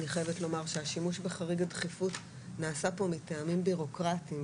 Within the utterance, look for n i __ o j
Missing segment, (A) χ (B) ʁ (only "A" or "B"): A